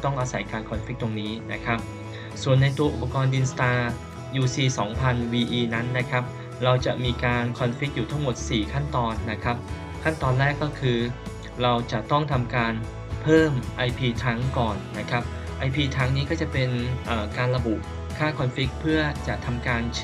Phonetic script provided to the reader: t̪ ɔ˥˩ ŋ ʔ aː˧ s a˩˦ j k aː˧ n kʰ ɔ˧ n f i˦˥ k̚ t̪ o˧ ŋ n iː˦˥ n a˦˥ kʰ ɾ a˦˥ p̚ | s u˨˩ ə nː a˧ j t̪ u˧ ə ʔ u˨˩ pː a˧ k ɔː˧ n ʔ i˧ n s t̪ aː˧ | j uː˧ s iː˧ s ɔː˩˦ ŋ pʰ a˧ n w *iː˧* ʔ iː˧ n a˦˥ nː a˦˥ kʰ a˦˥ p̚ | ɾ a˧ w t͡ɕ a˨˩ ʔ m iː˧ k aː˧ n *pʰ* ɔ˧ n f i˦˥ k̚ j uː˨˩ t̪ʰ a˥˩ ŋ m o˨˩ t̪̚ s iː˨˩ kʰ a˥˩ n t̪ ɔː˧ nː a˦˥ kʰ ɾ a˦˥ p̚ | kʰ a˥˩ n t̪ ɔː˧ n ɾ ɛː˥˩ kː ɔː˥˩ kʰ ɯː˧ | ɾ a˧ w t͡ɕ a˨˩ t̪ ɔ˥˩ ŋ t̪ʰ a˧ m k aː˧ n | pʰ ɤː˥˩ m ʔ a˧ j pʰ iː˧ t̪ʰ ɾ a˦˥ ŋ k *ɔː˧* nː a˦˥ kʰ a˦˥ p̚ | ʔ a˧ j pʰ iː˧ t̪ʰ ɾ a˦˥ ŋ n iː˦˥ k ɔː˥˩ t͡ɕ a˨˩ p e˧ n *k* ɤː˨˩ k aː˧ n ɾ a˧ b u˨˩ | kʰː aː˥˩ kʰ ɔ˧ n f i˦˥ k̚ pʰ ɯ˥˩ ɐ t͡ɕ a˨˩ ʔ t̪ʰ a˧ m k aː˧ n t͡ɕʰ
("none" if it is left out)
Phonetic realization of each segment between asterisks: iː˧, kʰ, ɔː˨˩, ʔ

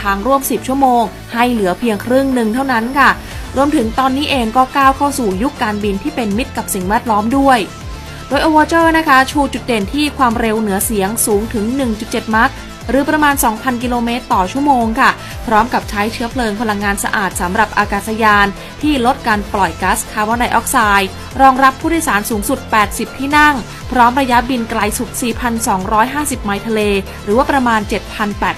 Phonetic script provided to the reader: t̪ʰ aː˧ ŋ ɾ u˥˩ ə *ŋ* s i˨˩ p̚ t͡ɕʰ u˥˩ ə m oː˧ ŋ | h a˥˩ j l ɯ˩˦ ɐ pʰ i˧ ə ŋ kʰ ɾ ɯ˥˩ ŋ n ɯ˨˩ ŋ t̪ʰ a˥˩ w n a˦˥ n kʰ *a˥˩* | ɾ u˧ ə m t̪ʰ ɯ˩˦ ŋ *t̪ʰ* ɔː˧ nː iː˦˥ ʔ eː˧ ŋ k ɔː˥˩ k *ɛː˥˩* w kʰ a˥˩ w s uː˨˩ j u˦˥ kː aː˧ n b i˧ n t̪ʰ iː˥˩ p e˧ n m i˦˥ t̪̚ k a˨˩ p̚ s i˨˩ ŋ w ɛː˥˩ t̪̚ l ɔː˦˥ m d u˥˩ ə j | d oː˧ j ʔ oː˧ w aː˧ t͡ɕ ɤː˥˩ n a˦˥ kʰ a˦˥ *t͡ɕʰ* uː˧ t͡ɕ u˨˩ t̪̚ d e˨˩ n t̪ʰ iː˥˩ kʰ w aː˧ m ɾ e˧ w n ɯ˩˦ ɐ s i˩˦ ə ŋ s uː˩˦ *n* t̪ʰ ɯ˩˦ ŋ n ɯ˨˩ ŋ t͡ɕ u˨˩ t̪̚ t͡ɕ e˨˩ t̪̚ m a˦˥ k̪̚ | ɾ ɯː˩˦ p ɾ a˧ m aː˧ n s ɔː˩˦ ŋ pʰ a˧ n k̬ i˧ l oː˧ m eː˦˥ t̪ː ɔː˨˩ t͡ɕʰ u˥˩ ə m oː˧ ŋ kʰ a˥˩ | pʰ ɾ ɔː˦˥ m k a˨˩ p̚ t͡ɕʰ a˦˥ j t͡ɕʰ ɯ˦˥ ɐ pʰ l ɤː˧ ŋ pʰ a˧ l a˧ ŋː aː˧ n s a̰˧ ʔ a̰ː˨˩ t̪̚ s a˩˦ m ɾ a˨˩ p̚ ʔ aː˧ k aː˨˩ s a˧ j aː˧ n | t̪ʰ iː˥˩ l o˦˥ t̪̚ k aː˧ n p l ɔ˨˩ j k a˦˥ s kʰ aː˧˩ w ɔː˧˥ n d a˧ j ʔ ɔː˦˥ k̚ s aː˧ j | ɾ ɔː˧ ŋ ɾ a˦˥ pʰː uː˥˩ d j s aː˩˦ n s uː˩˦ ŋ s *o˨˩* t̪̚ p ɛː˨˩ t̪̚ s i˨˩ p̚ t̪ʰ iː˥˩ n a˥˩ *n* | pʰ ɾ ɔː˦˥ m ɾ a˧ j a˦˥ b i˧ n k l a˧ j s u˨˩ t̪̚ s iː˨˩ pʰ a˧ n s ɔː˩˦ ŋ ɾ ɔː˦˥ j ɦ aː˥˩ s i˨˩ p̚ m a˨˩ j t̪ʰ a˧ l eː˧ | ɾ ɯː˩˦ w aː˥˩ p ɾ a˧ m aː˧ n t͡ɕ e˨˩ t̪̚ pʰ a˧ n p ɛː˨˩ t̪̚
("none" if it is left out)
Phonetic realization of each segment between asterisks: m, a˥˩, t̪, aː˥˩, t͡ɕʰ, ŋ, u˨˩, ŋ

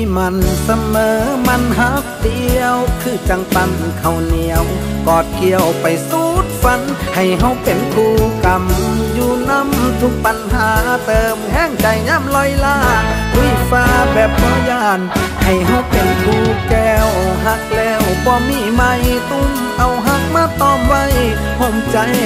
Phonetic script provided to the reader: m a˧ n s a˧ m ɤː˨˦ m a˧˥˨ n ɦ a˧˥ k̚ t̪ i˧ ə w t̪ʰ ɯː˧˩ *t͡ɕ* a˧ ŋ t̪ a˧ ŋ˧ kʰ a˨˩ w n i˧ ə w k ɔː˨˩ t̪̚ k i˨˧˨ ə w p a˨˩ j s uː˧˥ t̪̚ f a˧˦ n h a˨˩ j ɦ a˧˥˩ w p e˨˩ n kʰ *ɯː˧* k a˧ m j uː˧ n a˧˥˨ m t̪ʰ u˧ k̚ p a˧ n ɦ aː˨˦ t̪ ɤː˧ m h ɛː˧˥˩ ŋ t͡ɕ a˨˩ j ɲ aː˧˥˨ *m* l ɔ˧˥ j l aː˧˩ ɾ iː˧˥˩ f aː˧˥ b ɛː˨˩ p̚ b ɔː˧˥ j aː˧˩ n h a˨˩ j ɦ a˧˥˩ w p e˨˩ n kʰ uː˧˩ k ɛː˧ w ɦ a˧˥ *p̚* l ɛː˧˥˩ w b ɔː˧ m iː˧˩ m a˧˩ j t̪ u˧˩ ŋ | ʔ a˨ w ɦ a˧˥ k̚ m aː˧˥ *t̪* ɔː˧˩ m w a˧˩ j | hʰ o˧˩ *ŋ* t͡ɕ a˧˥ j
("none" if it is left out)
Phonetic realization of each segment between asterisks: t͡ɕ, uː˧, m, k̚, t̪, m

